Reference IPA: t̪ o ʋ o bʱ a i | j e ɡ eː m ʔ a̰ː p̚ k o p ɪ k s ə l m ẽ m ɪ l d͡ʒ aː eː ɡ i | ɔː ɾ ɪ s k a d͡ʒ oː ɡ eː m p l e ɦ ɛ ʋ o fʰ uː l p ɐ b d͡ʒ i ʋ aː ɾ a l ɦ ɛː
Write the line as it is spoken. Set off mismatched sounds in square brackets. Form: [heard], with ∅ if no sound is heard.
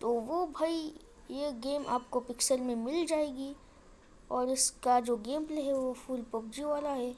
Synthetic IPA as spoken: t̪ o ʋ o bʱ a i | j e ɡ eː m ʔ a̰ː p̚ k o p ɪ k s ə l m ẽ m ɪ l d͡ʒ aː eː ɡ i | ɔː ɾ ɪ s k a d͡ʒ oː ɡ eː m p l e ɦ ɛ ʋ o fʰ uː l p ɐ b d͡ʒ i ʋ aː [l] a [∅] ɦ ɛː